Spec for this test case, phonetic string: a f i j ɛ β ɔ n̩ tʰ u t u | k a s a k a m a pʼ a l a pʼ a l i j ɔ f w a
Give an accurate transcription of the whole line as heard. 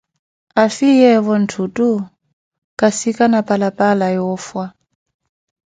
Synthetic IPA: a f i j ɛ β ɔ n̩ tʰ u t u | k a s i k a n a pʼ a l a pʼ a l a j ɔ f w a